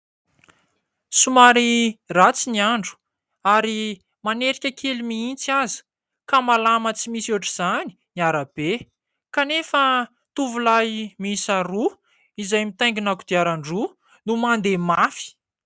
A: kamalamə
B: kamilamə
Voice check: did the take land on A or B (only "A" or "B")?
A